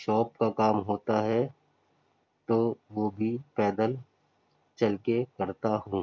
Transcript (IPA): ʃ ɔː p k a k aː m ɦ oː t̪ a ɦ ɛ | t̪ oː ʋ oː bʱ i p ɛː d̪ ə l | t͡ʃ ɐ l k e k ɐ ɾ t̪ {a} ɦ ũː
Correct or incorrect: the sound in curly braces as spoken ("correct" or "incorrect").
correct